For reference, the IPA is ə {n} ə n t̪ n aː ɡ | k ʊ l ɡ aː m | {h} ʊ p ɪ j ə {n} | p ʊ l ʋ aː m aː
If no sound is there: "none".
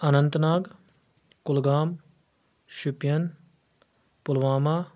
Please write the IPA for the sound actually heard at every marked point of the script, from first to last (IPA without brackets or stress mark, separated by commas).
n, ʃ, n